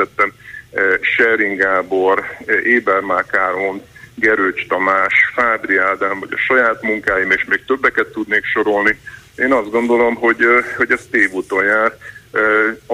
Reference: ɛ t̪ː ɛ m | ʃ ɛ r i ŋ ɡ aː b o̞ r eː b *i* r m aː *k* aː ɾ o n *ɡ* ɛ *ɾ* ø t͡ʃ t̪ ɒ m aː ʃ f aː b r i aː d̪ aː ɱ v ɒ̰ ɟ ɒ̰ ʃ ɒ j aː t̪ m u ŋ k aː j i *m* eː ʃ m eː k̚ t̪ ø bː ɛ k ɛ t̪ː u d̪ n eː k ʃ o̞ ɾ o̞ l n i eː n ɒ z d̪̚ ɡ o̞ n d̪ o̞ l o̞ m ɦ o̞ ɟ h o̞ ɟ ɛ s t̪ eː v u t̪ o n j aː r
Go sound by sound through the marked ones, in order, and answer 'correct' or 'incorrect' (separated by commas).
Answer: incorrect, correct, correct, correct, correct